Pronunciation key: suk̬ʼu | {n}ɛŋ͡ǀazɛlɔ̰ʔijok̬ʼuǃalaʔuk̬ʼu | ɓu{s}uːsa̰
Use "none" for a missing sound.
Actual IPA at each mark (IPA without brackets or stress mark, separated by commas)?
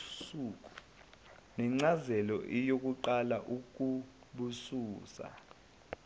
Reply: n, s